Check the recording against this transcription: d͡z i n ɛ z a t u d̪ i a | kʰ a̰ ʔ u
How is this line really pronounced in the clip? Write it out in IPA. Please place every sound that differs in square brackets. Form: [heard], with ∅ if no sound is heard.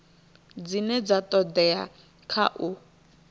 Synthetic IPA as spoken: d͡z i n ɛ [d͡z] a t [ɔ] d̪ [ɛ] a | kʰ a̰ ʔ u